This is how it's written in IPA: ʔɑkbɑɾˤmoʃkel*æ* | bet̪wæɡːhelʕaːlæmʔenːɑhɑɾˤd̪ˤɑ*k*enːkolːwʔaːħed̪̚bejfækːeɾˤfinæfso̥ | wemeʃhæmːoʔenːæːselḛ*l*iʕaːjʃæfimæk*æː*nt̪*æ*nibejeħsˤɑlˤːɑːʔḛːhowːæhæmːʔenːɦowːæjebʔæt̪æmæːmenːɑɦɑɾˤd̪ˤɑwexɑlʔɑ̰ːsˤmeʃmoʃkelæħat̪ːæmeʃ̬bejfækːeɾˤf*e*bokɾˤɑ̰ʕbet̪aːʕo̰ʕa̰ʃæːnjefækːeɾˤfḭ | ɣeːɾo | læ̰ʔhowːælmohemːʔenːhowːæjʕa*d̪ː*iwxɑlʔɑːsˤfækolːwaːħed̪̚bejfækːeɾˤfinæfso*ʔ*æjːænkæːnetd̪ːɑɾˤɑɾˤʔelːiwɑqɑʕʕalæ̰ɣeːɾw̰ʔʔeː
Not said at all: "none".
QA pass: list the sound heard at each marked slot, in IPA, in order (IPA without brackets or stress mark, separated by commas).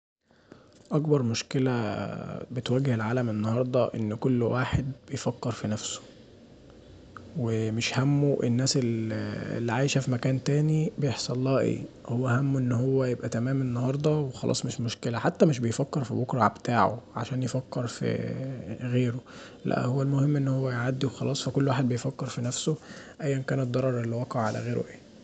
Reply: æ, ʔ, lː, æː, æː, i, d̪ː, ʔ